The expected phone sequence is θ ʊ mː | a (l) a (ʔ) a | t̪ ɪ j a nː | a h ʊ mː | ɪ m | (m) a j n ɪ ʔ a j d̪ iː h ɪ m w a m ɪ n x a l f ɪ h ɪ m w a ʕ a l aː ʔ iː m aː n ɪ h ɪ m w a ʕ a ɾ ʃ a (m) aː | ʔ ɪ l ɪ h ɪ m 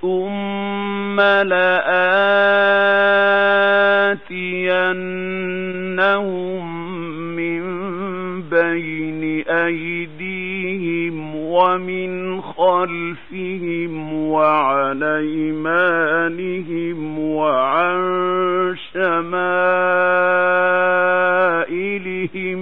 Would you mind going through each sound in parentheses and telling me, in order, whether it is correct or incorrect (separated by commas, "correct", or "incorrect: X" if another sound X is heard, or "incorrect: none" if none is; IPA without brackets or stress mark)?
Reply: correct, correct, incorrect: b, correct